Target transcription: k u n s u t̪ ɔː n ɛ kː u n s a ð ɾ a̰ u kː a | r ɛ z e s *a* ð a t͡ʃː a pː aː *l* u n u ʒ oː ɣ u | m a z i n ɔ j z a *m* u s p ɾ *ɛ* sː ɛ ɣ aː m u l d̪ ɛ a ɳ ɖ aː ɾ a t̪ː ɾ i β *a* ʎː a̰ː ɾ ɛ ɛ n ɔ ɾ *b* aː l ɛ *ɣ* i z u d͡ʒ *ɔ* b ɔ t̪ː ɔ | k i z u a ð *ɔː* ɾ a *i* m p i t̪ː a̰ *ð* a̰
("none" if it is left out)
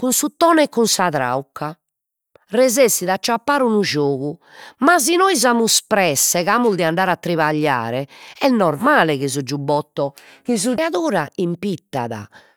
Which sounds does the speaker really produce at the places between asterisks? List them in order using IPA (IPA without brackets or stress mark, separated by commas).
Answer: i, ɾ, m, ɛ, a, m, ɣ, u, uː, i, ð